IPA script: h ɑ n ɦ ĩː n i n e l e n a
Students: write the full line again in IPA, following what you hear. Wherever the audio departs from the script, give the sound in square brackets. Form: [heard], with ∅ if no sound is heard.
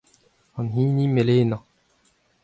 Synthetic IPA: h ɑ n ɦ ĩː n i [m] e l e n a